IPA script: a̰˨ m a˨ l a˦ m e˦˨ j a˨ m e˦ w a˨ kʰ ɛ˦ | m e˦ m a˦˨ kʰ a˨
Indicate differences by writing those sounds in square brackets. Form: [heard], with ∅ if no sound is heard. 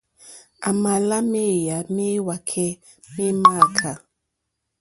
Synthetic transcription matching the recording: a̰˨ m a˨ l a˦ m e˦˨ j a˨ m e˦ w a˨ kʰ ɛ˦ | m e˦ m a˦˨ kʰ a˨